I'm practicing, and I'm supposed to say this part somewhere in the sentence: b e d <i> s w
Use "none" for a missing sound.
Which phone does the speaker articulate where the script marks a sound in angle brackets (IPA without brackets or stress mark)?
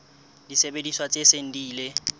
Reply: i